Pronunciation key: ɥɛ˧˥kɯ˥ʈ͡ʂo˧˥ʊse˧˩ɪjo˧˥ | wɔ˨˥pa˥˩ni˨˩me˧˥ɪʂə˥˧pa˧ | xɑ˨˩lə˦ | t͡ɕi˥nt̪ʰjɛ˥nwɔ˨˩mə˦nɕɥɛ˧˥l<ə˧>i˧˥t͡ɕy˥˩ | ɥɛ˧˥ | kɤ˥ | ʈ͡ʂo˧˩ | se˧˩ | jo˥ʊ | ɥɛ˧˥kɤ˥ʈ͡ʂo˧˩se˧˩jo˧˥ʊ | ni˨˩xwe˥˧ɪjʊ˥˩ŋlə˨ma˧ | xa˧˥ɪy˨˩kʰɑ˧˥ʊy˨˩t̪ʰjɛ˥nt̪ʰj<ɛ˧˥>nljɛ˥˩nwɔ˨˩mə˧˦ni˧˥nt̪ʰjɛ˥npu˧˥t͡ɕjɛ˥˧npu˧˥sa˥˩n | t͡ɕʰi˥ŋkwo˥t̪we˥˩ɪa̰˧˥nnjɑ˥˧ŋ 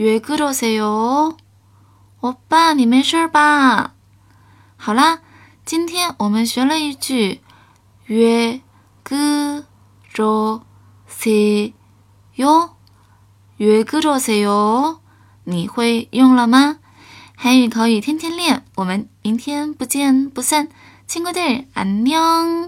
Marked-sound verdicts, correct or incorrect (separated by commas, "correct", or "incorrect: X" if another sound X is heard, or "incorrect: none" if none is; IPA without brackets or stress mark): correct, incorrect: ɛ˥